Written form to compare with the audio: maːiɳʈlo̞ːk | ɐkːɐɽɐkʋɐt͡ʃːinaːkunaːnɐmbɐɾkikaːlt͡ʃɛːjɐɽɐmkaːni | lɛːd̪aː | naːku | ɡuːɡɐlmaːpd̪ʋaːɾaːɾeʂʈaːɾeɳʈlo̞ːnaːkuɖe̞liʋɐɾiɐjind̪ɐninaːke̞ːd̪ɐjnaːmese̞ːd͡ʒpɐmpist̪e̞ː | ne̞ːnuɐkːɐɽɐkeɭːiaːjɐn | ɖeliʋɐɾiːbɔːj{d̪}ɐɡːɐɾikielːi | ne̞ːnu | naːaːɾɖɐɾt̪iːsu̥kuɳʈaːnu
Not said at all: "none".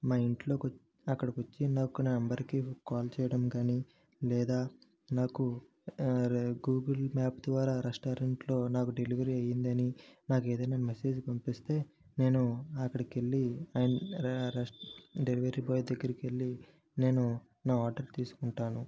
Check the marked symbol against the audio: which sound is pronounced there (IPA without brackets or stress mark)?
d̪